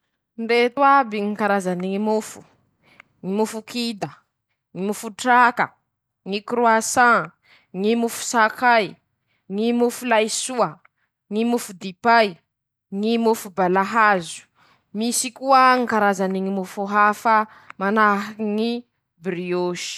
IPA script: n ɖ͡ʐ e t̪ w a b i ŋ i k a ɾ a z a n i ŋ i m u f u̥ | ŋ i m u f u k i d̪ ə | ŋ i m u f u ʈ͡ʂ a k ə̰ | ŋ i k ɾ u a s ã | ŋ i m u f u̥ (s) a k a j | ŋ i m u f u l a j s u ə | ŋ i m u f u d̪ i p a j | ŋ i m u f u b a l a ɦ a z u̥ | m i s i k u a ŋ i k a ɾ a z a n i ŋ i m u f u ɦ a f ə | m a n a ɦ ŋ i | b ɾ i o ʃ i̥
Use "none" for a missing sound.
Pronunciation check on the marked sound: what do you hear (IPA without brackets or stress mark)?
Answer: s